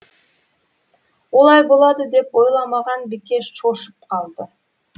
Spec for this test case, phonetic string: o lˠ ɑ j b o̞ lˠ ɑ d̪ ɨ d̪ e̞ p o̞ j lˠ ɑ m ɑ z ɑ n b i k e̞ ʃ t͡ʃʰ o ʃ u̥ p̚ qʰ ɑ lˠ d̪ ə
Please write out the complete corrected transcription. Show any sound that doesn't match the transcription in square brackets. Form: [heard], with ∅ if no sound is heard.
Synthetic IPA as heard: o lˠ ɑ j b o̞ lˠ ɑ d̪ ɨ d̪ e̞ p o̞ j lˠ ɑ m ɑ [ʁ] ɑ n b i k e̞ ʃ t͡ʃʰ o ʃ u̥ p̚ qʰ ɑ lˠ d̪ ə